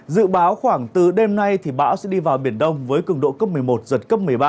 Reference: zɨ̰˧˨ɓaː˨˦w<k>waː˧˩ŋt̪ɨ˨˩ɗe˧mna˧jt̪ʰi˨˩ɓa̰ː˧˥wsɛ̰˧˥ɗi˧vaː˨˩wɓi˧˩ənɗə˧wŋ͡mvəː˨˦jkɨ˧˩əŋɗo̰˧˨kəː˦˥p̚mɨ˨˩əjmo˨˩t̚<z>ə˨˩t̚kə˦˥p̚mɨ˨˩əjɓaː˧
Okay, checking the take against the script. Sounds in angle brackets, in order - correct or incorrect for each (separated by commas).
incorrect, correct